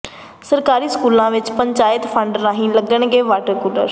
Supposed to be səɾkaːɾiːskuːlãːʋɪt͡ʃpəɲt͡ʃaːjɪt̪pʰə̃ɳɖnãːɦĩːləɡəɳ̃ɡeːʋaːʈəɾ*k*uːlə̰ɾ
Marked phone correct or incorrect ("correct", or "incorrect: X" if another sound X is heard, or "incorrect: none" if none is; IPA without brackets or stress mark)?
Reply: correct